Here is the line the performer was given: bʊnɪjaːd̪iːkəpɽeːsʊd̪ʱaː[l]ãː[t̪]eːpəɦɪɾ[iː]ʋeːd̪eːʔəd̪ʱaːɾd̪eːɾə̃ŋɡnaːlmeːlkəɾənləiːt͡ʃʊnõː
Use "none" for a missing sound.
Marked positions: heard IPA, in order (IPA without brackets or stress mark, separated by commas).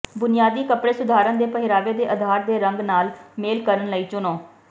ɾ, d̪, aː